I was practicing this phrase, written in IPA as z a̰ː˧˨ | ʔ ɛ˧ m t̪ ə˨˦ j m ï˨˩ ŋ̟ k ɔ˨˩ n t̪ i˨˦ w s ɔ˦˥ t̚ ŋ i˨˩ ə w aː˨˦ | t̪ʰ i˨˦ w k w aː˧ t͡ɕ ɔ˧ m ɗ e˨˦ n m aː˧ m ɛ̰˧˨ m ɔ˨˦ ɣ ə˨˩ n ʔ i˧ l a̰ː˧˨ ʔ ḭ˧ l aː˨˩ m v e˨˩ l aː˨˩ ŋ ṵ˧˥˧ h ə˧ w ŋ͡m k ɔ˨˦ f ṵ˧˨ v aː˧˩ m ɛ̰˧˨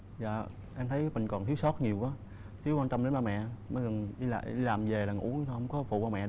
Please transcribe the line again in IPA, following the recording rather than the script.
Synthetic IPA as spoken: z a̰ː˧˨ | ʔ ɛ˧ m t̪ʰ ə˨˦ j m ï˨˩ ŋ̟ k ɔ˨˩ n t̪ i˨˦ w s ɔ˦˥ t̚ ɲ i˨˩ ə w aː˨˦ | t̪ʰ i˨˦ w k w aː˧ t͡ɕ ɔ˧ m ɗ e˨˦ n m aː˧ m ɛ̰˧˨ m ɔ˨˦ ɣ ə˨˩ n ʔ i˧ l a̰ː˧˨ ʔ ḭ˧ l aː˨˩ m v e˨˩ l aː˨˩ ŋ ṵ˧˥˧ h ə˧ w ŋ͡m k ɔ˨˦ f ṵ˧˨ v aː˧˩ m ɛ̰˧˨